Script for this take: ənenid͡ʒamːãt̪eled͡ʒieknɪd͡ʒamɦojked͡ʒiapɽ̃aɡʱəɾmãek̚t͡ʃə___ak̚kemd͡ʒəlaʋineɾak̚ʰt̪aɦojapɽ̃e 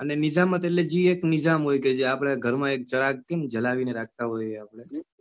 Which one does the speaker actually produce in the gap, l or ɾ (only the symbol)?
ɾ